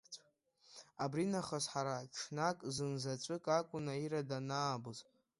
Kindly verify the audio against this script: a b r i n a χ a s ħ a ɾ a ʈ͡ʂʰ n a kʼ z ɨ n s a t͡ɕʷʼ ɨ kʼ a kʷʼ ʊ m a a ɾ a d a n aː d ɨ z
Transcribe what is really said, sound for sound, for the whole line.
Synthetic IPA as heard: a b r i n a χ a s ħ a ɾ a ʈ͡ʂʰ n a kʼ z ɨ n z a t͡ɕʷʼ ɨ kʼ a kʷʼ ʊ n a i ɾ a d a n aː b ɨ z